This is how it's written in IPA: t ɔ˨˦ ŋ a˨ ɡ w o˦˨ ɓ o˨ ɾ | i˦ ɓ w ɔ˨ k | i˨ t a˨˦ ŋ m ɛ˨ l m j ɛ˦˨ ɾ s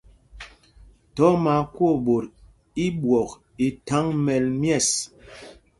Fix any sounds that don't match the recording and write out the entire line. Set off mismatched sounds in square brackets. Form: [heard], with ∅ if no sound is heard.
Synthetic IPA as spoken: t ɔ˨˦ [m] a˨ [k] w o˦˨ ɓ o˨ ɾ | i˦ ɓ w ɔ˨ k | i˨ t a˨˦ ŋ m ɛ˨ l m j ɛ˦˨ [∅] s

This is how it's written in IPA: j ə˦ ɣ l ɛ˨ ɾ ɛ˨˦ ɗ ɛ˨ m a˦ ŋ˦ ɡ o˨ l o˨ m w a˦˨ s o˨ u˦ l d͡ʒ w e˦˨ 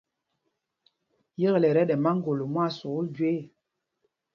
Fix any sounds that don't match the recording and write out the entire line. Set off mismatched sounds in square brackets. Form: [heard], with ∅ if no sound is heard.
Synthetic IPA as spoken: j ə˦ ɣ l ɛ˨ ɾ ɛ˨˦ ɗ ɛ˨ m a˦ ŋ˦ ɡ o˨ l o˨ m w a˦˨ s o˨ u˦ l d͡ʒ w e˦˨

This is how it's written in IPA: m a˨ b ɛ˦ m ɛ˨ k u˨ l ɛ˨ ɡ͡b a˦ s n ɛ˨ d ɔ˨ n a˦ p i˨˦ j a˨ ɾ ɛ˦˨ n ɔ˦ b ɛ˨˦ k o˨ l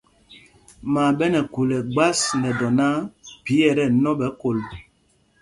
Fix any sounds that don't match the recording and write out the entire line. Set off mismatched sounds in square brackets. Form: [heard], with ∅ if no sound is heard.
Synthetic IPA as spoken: m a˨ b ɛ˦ [n] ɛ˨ k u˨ l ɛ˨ ɡ͡b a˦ s n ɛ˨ d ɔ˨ n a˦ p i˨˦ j [ɛ˨] ɾ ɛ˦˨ n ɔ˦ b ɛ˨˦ k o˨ l

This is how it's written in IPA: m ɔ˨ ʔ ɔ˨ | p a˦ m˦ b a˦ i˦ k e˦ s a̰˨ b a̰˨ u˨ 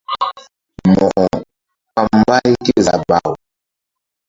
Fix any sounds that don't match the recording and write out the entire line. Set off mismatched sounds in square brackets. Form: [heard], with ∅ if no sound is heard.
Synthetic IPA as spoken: m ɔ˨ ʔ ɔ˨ | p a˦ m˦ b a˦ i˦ k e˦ [z] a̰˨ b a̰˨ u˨

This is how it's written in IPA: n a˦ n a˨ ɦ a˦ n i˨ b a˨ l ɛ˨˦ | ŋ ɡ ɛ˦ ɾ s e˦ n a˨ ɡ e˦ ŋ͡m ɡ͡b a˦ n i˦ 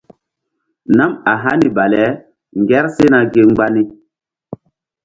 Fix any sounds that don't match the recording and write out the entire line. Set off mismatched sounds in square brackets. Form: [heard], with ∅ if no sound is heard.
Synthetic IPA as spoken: n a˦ [m] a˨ ɦ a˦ n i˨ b a˨ l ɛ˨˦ | ŋ ɡ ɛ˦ ɾ s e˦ n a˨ ɡ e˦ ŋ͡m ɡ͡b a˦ n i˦

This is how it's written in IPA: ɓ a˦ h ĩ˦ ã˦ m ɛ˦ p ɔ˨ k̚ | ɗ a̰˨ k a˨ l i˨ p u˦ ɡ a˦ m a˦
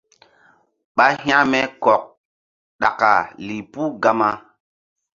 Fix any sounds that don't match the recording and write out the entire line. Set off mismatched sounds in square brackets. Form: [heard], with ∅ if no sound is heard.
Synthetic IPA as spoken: ɓ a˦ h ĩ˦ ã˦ m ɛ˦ [k] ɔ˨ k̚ | ɗ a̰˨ k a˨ l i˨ p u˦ ɡ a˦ m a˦

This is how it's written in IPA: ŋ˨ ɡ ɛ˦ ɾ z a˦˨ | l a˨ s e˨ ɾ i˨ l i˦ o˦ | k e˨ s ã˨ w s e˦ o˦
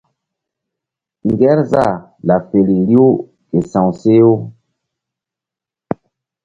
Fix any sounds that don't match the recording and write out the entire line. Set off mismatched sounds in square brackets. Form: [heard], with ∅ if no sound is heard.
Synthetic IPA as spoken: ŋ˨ ɡ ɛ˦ ɾ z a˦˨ | l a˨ [f] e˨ [l] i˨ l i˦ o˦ | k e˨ s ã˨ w s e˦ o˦

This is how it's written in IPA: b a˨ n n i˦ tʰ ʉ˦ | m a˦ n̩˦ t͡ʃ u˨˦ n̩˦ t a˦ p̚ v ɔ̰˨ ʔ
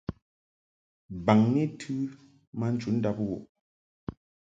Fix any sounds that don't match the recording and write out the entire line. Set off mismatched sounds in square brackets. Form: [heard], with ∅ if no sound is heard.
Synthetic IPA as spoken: b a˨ [ŋ] n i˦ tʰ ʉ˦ | m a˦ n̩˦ t͡ʃ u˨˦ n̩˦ [d] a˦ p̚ [w] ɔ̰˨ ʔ

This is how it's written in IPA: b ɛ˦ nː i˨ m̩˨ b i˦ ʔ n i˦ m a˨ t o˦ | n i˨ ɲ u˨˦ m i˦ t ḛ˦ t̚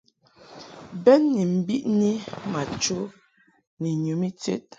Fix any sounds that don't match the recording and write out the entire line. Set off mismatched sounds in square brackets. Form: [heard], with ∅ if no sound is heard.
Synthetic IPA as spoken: b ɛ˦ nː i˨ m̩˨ b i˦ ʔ n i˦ m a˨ [t͡ʃ] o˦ | n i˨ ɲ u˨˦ m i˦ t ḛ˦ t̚

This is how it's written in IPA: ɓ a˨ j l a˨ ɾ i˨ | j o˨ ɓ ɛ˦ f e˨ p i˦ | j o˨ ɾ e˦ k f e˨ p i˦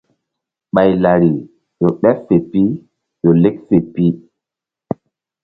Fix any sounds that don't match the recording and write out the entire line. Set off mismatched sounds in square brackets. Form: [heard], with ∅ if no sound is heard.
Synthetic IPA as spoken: ɓ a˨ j l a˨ ɾ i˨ | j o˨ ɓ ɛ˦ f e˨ p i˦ | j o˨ [l] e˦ k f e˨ p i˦

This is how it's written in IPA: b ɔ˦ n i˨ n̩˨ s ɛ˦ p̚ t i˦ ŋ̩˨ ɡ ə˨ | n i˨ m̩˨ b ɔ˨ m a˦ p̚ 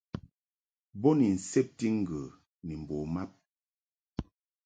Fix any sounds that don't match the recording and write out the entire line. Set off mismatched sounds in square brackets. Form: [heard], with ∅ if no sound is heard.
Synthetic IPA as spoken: b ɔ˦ n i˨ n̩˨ s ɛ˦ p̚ t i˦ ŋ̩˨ ɡ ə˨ | n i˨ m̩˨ b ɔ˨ m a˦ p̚

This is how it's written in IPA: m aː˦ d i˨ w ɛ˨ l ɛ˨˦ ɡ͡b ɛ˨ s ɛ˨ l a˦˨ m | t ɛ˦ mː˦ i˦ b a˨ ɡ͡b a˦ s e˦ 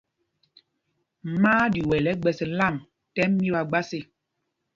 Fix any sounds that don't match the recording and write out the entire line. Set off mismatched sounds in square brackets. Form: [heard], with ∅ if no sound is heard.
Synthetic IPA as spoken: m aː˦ d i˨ w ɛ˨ l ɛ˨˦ ɡ͡b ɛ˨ s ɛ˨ l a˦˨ m | t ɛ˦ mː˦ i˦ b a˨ ɡ͡b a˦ s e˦

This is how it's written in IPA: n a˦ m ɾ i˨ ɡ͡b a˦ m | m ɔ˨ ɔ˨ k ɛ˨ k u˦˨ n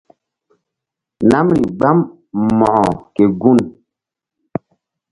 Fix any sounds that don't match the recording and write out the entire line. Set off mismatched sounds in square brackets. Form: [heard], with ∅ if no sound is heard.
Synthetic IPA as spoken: n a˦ m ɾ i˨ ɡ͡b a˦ m | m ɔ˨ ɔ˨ k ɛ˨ [ɡ] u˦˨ n

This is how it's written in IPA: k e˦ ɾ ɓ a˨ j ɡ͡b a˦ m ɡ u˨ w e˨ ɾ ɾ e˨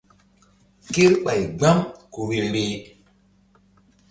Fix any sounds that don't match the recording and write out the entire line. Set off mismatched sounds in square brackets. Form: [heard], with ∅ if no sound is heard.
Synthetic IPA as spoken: k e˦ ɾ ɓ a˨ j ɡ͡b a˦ m [k] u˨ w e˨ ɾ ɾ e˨

